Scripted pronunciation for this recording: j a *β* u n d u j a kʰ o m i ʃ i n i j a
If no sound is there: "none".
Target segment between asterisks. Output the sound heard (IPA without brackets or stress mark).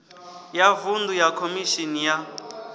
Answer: v